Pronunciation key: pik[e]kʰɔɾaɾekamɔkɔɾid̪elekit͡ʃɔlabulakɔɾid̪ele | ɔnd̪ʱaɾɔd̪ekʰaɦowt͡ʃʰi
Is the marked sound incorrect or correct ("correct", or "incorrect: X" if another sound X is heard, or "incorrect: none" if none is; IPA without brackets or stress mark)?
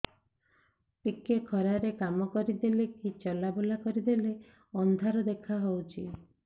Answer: correct